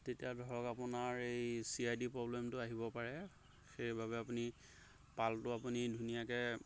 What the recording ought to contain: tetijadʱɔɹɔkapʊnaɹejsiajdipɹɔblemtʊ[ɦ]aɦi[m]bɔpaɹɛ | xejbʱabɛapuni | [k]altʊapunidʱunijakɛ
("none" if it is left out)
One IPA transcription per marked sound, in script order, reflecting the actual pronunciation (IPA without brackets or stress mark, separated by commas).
none, none, p